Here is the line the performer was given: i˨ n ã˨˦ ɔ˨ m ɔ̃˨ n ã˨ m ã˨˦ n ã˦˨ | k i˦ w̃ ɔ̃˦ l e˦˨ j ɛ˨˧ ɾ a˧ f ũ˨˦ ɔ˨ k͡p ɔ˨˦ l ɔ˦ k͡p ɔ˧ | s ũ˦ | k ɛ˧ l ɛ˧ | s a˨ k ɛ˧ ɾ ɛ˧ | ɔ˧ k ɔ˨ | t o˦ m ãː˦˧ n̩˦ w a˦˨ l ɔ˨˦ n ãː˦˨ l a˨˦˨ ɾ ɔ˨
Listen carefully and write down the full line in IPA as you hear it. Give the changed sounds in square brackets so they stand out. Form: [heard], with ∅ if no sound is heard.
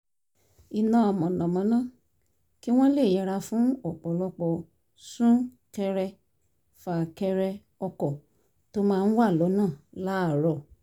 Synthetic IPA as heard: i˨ n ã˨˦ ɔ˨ m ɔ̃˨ n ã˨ m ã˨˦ n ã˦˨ | k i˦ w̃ ɔ̃˦ l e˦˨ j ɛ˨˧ ɾ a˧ f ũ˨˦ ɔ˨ k͡p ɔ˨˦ l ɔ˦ k͡p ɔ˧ | s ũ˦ | k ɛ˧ [ɾ] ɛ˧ | [f] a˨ k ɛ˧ ɾ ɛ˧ | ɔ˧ k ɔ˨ | t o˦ m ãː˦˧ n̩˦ w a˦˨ l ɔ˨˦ n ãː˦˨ l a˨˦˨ ɾ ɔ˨